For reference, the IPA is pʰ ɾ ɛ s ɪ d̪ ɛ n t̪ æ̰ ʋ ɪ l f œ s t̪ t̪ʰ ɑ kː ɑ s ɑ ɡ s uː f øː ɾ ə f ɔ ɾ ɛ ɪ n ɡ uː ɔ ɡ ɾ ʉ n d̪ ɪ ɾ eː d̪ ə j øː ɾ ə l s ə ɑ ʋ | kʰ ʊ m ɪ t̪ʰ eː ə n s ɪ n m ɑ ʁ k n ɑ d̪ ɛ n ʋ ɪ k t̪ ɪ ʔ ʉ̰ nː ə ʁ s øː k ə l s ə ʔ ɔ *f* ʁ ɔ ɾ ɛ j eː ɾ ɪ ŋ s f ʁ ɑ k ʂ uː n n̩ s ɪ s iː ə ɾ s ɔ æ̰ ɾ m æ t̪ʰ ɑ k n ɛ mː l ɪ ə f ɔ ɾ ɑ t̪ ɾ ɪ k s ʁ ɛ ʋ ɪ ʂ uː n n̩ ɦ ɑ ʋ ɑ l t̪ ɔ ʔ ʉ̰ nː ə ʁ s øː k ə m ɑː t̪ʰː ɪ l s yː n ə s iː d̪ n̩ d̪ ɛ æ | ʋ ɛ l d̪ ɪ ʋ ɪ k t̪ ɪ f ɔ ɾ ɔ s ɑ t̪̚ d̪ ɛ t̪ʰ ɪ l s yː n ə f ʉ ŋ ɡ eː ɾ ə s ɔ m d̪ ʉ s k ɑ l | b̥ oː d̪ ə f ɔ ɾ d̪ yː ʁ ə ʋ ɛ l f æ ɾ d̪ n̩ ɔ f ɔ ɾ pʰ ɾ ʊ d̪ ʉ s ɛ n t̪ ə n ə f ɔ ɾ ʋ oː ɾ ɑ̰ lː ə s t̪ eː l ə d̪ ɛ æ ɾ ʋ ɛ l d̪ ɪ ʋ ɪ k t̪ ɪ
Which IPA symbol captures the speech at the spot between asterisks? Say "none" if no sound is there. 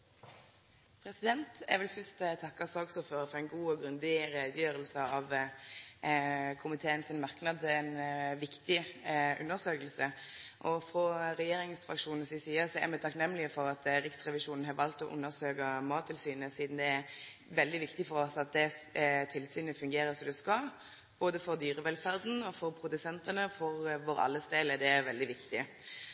f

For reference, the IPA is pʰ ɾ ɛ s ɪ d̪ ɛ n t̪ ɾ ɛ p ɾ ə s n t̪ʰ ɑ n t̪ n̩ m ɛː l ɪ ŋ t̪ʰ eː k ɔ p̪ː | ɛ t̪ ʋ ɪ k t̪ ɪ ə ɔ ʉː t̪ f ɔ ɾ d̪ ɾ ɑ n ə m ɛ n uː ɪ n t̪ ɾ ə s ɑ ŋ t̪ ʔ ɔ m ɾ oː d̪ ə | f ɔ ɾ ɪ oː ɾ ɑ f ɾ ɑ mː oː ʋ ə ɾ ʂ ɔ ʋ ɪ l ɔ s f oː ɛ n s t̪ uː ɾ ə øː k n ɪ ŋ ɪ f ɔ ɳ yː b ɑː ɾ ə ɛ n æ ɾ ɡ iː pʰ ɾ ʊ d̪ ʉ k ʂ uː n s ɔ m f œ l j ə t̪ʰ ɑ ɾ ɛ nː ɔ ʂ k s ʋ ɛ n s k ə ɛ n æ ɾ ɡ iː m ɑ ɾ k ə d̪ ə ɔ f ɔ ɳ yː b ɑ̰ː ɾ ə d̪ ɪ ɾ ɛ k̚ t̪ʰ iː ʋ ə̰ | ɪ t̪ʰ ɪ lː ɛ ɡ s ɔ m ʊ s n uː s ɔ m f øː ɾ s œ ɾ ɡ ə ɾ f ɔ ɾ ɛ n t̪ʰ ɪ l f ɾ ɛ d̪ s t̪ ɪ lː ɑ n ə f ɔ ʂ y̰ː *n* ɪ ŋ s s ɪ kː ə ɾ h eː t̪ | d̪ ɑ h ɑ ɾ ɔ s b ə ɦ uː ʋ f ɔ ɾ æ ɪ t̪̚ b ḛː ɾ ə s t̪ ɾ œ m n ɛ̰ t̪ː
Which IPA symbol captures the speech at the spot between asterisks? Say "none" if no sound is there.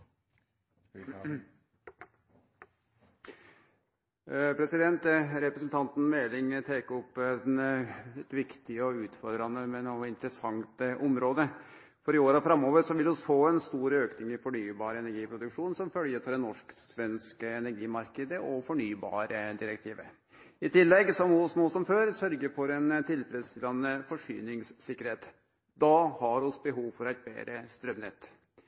n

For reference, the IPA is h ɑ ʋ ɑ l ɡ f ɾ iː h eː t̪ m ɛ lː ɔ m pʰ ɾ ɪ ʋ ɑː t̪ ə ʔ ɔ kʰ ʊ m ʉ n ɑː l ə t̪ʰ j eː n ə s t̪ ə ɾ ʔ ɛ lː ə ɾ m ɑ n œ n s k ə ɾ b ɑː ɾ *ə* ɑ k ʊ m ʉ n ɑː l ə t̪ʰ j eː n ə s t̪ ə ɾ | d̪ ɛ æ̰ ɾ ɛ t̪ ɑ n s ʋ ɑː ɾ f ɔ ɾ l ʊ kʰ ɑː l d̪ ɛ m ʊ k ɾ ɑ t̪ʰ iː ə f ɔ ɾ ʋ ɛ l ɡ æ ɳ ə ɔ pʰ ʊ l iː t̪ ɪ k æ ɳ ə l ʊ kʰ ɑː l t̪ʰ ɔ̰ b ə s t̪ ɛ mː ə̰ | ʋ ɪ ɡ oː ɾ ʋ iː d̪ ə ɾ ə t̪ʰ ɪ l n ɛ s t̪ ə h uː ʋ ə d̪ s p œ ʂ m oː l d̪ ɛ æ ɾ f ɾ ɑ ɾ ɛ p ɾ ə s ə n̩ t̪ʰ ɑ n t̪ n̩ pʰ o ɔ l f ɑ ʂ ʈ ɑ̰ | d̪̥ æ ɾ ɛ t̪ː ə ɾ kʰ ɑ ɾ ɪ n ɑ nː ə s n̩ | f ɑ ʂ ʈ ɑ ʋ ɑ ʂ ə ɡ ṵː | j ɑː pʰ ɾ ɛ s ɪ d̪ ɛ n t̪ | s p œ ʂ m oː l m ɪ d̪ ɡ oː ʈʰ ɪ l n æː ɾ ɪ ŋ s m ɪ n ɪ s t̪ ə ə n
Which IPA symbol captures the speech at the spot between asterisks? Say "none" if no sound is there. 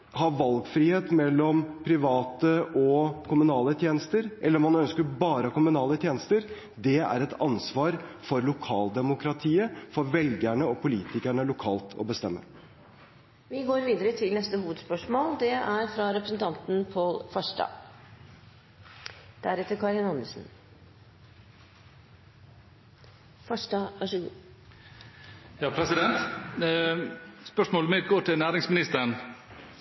ə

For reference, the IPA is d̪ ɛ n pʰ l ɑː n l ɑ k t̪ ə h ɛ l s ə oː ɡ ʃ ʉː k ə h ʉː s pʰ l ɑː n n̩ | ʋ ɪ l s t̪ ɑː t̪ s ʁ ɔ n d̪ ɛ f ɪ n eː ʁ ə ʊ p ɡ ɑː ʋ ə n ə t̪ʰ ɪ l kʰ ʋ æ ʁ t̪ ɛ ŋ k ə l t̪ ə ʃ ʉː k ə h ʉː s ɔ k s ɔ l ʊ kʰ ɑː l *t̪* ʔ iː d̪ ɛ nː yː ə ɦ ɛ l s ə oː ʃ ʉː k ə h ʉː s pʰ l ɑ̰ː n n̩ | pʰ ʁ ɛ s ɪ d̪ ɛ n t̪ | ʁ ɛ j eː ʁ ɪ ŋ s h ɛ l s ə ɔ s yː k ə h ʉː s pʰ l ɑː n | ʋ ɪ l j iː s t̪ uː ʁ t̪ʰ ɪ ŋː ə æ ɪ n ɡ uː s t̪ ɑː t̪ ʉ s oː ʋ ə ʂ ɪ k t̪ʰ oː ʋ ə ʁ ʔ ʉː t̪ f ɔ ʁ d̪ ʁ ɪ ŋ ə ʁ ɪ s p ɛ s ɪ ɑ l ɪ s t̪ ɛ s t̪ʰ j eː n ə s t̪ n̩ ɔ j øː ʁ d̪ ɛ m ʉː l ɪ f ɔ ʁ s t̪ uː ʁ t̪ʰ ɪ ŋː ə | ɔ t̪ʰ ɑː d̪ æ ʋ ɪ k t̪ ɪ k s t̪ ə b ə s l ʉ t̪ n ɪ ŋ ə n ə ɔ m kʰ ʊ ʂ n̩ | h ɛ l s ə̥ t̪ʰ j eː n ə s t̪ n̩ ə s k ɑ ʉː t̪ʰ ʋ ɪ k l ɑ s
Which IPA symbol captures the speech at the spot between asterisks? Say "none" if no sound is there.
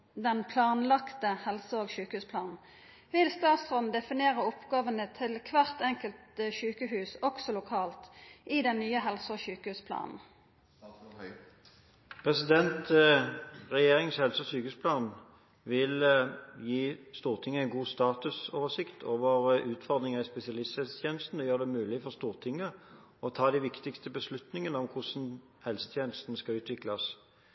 t̪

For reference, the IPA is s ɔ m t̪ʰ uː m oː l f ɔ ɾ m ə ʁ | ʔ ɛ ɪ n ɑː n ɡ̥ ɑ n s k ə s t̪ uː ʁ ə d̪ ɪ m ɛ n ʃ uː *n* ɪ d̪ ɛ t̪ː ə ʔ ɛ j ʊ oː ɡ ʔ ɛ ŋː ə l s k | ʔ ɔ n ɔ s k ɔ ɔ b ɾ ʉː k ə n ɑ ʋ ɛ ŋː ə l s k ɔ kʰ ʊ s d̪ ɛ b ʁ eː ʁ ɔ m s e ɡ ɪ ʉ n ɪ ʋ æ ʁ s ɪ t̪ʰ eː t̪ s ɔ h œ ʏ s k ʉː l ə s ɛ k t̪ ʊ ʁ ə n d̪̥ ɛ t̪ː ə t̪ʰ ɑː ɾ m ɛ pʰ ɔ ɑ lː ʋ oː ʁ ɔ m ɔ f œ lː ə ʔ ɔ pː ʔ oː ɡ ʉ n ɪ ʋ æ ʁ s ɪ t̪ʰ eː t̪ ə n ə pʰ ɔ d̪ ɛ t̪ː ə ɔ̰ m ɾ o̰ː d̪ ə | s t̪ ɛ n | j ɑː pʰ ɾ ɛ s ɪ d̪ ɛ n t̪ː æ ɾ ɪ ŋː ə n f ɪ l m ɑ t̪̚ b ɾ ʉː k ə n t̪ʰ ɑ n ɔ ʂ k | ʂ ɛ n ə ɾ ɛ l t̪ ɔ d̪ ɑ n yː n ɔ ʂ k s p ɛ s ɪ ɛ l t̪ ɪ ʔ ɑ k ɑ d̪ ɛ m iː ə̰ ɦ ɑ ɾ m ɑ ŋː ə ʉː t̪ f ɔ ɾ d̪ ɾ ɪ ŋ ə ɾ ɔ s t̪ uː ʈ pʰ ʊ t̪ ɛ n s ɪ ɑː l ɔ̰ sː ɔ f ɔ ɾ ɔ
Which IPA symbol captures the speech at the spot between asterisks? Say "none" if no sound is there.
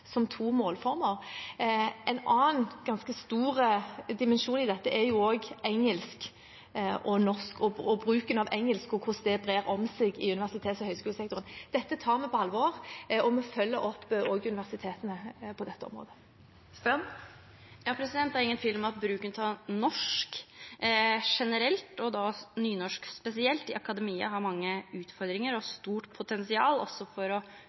n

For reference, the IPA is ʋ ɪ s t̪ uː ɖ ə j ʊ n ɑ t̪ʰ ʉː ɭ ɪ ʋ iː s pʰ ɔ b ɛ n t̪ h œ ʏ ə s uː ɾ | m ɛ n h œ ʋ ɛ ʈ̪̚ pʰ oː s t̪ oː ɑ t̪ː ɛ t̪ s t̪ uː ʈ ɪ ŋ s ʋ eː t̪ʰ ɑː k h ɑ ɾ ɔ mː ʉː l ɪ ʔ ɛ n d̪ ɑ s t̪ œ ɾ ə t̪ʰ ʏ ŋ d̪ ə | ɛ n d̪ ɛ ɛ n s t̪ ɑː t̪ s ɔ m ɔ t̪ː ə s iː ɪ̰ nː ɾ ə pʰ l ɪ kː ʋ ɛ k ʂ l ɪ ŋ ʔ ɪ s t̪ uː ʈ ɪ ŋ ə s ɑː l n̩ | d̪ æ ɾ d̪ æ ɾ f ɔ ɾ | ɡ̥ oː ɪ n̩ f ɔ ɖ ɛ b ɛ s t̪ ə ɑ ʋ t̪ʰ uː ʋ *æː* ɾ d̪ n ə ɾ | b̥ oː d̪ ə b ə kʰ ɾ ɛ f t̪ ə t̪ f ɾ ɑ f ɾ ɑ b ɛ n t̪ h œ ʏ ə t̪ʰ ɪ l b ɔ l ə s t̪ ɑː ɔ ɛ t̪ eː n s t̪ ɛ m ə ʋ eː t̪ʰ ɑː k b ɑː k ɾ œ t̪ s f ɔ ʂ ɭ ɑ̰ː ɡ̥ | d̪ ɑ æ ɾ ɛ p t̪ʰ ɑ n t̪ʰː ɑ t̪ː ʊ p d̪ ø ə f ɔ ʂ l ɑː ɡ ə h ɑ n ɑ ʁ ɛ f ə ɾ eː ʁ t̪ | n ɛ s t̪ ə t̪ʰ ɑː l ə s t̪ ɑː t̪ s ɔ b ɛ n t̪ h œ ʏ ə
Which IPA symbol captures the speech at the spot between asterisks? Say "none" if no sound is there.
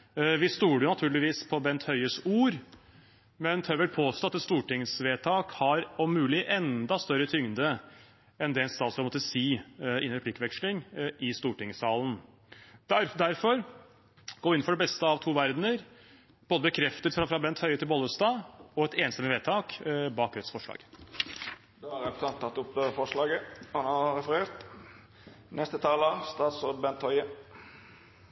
æ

